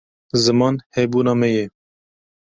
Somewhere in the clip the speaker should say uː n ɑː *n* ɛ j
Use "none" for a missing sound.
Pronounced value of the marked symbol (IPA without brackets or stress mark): m